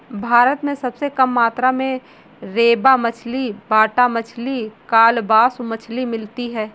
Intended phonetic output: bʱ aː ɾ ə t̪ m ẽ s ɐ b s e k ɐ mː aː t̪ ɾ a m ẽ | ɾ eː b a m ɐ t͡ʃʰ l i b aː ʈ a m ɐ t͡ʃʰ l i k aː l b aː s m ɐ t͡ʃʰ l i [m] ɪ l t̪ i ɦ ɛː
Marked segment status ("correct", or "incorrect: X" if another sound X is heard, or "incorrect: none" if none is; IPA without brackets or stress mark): correct